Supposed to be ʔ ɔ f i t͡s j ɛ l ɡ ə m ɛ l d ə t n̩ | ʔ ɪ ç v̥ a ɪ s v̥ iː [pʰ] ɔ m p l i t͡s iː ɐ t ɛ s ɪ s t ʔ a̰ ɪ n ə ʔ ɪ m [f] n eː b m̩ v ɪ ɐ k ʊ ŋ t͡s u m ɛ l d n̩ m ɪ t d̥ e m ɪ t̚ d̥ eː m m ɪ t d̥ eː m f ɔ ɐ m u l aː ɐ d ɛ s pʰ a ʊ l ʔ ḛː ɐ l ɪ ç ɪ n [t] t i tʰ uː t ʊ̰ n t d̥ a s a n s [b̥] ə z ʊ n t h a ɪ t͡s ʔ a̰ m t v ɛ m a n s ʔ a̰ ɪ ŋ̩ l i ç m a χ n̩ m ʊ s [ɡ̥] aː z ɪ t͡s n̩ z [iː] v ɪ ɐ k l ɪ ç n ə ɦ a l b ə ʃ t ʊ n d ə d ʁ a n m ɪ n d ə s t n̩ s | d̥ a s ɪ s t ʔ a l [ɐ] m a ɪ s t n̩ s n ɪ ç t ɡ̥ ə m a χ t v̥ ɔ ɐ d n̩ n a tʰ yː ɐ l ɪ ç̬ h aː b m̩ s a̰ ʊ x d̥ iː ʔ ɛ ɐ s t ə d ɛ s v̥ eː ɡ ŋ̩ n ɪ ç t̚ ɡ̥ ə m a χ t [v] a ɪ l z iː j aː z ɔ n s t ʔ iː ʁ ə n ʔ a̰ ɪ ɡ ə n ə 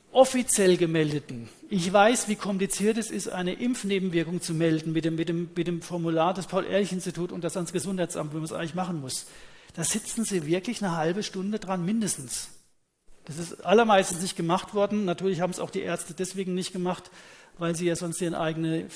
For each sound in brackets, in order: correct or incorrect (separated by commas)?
incorrect, correct, incorrect, incorrect, incorrect, correct, correct, correct